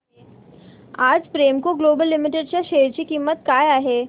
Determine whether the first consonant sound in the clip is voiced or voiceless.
voiced